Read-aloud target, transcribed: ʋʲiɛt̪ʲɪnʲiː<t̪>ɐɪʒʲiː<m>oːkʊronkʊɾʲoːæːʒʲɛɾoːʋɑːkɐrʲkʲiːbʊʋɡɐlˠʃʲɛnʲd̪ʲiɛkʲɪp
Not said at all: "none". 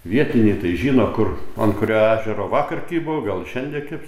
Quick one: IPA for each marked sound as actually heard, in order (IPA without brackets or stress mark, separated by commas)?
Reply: t̪, n